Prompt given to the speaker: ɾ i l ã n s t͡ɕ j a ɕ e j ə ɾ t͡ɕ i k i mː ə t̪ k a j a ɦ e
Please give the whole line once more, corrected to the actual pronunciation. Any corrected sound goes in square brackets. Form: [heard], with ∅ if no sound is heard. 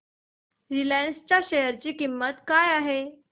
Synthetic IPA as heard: ɾ i l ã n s t͡ɕ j a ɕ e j ə ɾ t͡ɕ [iː] k i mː ə t̪ k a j a ɦ e